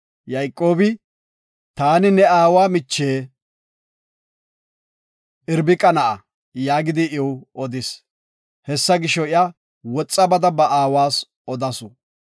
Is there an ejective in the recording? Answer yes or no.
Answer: yes